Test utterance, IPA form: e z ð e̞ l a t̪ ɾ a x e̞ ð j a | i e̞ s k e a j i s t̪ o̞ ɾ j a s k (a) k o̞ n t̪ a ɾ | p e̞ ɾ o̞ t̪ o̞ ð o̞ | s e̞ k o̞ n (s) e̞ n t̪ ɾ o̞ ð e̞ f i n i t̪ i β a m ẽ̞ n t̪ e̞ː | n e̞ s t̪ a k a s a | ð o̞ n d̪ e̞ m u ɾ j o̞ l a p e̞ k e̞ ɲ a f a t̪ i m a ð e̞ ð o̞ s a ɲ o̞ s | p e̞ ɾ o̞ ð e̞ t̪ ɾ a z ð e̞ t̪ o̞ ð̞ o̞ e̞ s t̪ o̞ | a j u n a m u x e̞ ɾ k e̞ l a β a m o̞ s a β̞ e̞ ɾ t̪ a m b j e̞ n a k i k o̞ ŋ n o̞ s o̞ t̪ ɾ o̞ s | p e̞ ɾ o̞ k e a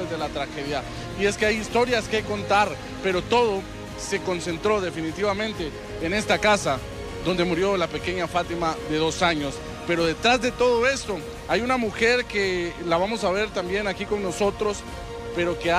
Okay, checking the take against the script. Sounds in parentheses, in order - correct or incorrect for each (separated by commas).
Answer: incorrect, correct